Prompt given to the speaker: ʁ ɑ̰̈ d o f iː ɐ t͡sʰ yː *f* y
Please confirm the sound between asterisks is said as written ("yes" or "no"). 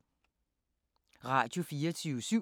no